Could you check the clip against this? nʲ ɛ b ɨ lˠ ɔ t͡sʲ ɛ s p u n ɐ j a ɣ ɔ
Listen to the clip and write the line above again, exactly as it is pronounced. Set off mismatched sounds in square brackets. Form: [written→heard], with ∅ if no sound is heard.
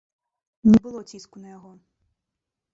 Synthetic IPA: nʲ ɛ b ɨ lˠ ɔ t͡sʲ [ɛ→i] s [p→k] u n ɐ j a ɣ ɔ